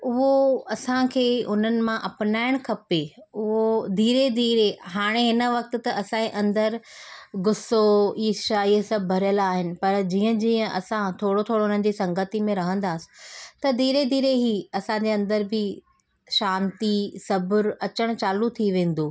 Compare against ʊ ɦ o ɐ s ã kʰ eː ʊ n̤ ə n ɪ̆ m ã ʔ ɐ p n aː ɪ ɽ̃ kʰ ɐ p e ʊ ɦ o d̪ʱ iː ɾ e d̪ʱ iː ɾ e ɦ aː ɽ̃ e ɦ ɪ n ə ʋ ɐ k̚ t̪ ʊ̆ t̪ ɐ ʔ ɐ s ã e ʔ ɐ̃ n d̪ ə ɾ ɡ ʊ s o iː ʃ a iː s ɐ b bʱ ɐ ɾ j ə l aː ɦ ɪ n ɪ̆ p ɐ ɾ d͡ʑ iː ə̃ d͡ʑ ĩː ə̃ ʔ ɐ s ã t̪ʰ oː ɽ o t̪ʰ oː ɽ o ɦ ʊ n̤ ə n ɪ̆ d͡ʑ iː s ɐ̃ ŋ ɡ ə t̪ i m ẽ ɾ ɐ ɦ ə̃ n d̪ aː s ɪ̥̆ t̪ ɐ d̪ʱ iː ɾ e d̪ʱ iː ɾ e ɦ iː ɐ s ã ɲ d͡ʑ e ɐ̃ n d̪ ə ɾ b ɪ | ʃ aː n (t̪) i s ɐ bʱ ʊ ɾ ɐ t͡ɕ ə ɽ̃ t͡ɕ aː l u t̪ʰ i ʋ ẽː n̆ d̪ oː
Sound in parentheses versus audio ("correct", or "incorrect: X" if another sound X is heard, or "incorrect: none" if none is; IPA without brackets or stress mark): correct